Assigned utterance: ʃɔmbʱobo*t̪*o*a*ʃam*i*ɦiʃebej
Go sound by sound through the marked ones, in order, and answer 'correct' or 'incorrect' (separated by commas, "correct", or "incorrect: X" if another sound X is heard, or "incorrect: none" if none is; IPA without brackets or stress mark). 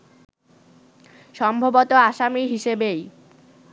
correct, correct, correct